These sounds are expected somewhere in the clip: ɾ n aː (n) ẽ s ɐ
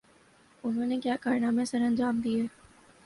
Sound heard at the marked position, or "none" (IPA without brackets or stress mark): m